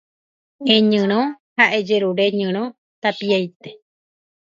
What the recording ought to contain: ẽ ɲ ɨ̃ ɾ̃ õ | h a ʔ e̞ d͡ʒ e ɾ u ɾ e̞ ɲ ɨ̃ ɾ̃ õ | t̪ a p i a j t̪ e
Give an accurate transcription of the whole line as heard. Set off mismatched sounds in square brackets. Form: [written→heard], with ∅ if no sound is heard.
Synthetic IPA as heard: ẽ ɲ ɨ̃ ɾ̃ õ | h a ʔ e̞ d͡ʒ e ɾ u ɾ e̞ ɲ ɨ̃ ɾ̃ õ | t̪ a p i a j t̪ e

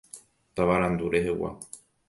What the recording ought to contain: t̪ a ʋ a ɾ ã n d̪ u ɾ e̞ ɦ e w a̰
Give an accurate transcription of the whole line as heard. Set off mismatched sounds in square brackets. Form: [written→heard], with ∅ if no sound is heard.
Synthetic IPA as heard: t̪ a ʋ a ɾ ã n d̪ u ɾ e̞ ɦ e w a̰

